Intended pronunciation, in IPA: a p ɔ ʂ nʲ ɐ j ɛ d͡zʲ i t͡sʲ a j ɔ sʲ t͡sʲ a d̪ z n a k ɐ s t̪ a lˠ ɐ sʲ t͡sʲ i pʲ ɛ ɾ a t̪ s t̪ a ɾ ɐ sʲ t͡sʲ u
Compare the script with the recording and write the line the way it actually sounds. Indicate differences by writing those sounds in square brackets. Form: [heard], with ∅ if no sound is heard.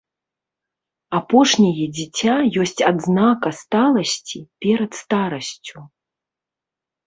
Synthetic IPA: a p ɔ ʂ nʲ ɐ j ɛ d͡zʲ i t͡sʲ a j ɔ sʲ t͡sʲ a d̪ z n a k ɐ s t̪ a lˠ ɐ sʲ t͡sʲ i pʲ ɛ ɾ [ɐ] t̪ s t̪ a ɾ ɐ sʲ t͡sʲ u